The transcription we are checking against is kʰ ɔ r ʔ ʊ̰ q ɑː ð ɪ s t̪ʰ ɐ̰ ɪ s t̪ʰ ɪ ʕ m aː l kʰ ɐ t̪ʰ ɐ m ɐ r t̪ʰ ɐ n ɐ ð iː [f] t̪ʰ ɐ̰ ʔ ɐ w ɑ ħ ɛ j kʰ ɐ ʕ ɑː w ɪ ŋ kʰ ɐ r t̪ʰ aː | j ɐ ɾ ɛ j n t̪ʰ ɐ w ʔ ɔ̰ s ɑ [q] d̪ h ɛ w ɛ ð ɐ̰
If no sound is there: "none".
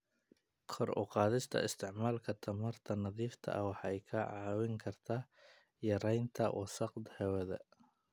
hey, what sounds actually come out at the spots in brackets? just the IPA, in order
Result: f, q

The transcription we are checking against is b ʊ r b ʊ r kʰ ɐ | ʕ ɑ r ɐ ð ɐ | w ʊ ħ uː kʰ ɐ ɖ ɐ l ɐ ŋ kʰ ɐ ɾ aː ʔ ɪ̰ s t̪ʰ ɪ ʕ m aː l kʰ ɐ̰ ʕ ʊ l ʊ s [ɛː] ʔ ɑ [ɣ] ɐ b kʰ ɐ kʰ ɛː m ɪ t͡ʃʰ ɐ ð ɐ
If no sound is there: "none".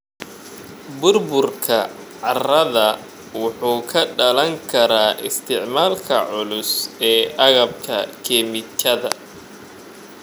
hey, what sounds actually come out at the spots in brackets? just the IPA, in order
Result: ɛː, ɣ

